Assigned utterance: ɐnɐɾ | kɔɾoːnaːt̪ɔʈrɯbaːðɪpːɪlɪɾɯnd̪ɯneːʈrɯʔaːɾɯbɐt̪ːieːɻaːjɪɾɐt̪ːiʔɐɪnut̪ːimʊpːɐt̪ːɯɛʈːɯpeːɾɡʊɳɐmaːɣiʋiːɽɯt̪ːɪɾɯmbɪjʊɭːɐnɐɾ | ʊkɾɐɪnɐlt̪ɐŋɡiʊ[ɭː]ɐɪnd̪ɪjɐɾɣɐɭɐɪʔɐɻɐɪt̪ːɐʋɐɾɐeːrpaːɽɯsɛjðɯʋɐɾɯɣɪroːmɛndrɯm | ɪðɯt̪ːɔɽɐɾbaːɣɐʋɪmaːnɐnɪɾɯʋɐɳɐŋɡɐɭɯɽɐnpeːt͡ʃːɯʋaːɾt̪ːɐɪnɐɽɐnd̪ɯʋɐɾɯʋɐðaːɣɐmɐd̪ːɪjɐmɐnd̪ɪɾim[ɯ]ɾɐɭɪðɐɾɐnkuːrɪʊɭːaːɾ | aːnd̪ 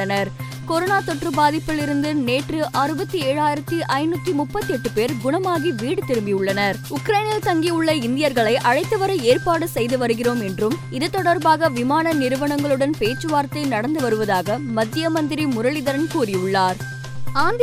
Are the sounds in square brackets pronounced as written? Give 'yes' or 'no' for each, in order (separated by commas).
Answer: yes, no